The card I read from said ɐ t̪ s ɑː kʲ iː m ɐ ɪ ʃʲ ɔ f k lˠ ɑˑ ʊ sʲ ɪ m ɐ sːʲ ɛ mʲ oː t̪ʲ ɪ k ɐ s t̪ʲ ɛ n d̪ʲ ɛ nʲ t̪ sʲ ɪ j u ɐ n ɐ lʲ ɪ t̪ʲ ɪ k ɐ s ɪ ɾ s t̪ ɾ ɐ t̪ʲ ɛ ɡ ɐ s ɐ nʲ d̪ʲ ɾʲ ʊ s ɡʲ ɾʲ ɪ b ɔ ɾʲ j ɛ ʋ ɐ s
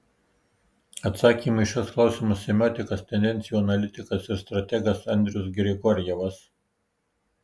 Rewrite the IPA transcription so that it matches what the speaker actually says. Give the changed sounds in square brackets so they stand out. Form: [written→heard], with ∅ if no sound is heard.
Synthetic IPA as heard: ɐ t̪ s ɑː kʲ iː m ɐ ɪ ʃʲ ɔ [f→s] k lˠ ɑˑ ʊ sʲ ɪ m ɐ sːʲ ɛ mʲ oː t̪ʲ ɪ k ɐ s t̪ʲ ɛ n d̪ʲ ɛ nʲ t̪ sʲ ɪ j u ɐ n ɐ lʲ ɪ t̪ʲ ɪ k ɐ s ɪ ɾ s t̪ ɾ ɐ t̪ʲ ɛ ɡ ɐ s ɐ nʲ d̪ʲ ɾʲ ʊ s ɡʲ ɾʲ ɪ [b→ɡ] ɔ ɾʲ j ɛ ʋ ɐ s